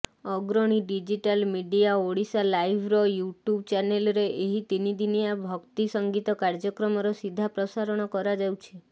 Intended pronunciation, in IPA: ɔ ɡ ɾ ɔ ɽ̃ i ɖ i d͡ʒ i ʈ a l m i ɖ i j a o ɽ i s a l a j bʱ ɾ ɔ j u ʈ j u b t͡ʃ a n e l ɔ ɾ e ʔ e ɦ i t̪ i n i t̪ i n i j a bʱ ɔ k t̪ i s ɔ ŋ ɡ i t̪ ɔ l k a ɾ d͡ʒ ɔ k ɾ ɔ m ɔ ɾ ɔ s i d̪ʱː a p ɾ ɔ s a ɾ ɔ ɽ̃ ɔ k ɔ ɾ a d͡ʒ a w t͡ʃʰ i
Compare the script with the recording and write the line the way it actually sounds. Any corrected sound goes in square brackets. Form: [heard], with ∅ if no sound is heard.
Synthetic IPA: ɔ ɡ ɾ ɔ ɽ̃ i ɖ i d͡ʒ i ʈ a l m i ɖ i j a o ɽ i s a l a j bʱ ɾ ɔ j u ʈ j u b t͡ʃ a n e l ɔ ɾ e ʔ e ɦ i t̪ i n i [d̪] i n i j a bʱ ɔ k t̪ i s ɔ ŋ ɡ i t̪ ɔ [∅] k a ɾ d͡ʒ ɔ k ɾ ɔ m ɔ ɾ ɔ s i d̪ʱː a p ɾ ɔ s a ɾ ɔ ɽ̃ ɔ k ɔ ɾ a d͡ʒ a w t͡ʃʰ i